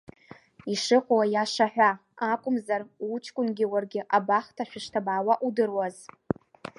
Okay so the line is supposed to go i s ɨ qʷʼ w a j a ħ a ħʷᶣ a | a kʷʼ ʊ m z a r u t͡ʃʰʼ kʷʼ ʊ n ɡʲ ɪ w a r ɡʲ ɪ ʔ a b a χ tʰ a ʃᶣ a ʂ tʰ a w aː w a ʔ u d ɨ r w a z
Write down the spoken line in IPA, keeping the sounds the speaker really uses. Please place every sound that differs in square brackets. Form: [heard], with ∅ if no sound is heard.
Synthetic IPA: i [ʂ] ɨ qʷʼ w a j a [ʂ] a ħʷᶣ a | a kʷʼ ʊ m z a r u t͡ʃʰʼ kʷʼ ʊ n ɡʲ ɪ w a r ɡʲ ɪ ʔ a b a χ tʰ a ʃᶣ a ʂ tʰ a [b] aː w a ʔ u d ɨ r w a z

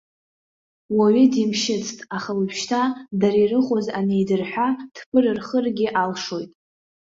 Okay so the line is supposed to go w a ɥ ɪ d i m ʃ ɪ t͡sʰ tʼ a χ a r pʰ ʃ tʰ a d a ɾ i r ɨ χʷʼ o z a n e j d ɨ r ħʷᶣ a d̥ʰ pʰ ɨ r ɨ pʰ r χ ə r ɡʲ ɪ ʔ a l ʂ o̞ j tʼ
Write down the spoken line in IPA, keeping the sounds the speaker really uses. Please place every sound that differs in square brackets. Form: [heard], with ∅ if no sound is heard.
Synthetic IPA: w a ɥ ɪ d i m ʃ ɪ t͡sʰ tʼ a χ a [l] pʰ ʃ tʰ a d a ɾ i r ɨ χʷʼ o z a n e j d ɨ r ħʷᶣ a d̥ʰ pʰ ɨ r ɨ [∅] r χ ə r ɡʲ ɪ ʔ a l ʂ o̞ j tʼ

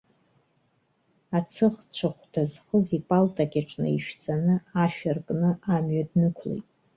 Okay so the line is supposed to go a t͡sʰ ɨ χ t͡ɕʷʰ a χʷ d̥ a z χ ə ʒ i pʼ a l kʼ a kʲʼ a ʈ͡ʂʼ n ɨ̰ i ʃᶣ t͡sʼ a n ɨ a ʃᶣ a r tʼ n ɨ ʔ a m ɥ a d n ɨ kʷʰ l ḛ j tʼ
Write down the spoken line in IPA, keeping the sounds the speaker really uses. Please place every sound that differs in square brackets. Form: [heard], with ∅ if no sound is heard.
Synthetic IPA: a t͡sʰ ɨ χ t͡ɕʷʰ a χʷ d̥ a z χ ə [z] i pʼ a l [tʼ] a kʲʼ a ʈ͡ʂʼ n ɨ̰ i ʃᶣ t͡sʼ a n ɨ a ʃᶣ a r [kʼ] n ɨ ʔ a m ɥ a d n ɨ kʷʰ l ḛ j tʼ

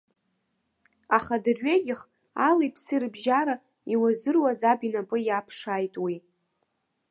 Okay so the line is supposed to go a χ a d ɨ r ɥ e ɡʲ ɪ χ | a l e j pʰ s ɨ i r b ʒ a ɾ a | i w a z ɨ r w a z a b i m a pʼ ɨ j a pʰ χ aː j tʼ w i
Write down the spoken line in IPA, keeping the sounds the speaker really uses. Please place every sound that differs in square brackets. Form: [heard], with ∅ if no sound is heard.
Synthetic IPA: a χ a d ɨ r ɥ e ɡʲ ɪ χ | a l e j pʰ s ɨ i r b ʒ a ɾ a | i w a z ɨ r w a z a b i [n] a pʼ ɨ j a pʰ [ʂ] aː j tʼ w i

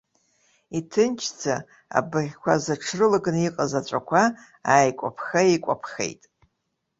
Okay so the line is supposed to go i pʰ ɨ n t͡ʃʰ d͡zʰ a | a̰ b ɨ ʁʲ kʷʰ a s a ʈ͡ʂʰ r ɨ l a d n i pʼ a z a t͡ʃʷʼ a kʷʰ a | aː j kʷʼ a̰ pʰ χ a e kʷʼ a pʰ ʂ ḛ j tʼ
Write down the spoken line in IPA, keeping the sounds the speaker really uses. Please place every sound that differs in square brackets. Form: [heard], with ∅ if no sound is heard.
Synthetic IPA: i [tʰ] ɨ n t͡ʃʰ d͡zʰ a | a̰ b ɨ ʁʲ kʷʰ a [z] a ʈ͡ʂʰ r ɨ l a [ɡ] n i [qʼ] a z a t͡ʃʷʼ a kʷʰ a | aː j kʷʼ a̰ pʰ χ a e kʷʼ a pʰ [χ] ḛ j tʼ

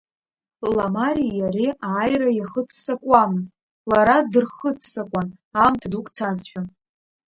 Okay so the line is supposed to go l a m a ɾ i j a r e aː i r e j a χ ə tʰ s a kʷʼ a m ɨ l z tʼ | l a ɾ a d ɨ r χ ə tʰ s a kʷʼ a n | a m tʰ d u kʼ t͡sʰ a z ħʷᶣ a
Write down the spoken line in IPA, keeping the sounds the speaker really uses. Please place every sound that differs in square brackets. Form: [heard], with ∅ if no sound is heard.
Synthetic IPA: l a m a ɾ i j a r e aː [j] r [a] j a χ ə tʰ s a kʷʼ a m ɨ [∅] z tʼ | l a ɾ a d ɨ r χ ə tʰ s a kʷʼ a n | a m tʰ d u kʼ t͡sʰ a z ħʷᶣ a

